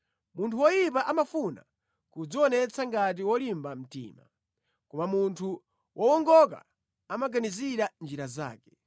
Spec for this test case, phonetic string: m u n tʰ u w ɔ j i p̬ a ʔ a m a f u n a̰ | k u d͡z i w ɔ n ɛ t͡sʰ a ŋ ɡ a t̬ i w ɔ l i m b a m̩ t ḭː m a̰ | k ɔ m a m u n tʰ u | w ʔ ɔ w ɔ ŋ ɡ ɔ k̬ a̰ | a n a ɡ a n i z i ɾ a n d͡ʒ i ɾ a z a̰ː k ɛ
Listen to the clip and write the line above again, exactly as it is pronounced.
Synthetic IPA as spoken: m u n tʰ u w ɔ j i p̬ a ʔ a m a f u n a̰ | k u d͡z i w ɔ n ɛ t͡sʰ a ŋ ɡ a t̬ i w ɔ l i m b a m̩ t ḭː m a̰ | k ɔ m a m u n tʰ u | w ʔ ɔ w ɔ ŋ ɡ ɔ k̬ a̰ | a m a ɡ a n i z i ɾ a n d͡ʒ i ɾ a z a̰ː k ɛ